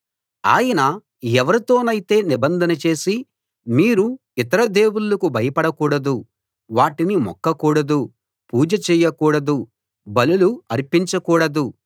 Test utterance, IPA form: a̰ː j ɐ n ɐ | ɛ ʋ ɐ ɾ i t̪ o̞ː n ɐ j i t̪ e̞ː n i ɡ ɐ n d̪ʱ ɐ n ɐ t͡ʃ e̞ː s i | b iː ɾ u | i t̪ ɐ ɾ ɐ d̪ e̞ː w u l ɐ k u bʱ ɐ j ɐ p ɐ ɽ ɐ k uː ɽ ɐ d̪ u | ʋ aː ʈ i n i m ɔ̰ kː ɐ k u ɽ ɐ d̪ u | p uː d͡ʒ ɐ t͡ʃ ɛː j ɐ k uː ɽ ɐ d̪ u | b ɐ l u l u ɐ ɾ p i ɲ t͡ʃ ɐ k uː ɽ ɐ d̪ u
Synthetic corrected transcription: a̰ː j ɐ n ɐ | ɛ ʋ ɐ ɾ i t̪ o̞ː n ɐ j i t̪ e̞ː n i b ɐ n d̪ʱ ɐ n ɐ t͡ʃ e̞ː s i | m iː ɾ u | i t̪ ɐ ɾ ɐ d̪ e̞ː w u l ɐ k u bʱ ɐ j ɐ p ɐ ɽ ɐ k uː ɽ ɐ d̪ u | ʋ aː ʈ i n i m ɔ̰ kː ɐ k uː ɽ ɐ d̪ u | p uː d͡ʒ ɐ t͡ʃ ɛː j ɐ k uː ɽ ɐ d̪ u | b ɐ l u l u ɐ ɾ p i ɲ t͡ʃ ɐ k uː ɽ ɐ d̪ u